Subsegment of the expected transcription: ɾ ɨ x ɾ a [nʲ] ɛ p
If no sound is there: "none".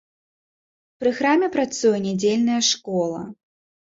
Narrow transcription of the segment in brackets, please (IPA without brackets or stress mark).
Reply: mʲ